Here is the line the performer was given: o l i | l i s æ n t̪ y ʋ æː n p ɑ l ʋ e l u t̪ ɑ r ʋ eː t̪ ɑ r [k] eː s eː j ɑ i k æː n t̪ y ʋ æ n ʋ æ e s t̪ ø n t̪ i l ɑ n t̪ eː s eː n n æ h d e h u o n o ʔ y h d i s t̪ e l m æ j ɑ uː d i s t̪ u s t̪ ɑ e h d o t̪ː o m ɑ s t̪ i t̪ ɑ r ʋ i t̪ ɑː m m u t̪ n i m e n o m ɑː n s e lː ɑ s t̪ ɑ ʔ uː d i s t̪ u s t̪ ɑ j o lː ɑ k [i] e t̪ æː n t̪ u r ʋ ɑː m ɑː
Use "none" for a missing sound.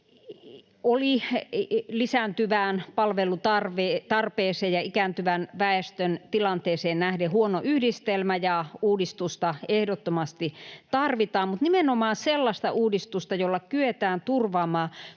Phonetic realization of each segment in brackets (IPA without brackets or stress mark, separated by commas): p, y